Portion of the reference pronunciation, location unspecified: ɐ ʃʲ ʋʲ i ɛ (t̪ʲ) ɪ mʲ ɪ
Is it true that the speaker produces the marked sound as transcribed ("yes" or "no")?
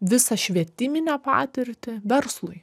yes